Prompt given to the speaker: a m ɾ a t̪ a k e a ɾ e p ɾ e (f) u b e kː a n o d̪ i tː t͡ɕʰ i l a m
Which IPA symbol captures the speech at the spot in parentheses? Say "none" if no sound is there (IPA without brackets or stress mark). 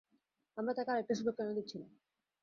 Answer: ʃ